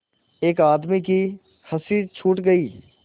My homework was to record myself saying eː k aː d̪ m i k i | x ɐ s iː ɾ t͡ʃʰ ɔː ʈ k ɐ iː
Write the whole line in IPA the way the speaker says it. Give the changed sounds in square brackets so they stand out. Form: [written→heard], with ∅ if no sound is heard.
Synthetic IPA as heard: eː k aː d̪ m i k i | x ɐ s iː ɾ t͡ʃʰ [ɔː→uː] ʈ [k→ɡ] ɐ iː